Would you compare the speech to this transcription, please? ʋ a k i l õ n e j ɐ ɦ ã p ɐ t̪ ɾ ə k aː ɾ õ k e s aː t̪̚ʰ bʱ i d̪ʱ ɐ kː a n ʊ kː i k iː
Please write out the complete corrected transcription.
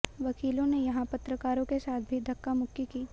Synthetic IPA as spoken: ʋ ɐ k iː l õ n e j ɐ ɦ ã p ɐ t̪ ɾ ə k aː ɾ õ k e s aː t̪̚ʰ bʱ i d̪ʱ ɐ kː a m ʊ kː i k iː